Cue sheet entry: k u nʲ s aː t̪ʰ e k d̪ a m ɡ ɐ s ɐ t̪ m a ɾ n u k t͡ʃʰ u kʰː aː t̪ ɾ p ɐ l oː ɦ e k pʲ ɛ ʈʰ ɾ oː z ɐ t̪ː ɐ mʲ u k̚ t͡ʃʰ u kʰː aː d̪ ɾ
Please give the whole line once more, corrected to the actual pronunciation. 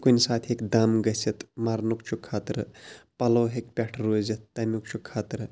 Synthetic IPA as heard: k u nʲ s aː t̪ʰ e k d̪ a m ɡ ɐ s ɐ t̪ m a ɾ n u k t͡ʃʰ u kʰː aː t̪ ɾ p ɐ l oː ɦ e k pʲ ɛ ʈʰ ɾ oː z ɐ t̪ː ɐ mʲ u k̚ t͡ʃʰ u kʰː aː t̪ ɾ